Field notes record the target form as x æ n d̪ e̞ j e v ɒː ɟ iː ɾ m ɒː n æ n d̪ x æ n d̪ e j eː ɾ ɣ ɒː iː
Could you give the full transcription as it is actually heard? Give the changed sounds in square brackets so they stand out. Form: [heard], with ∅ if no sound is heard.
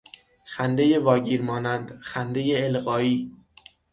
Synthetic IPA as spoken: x æ n d̪ e̞ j e v ɒː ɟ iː ɾ m ɒː n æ n d̪ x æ n d̪ e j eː [l] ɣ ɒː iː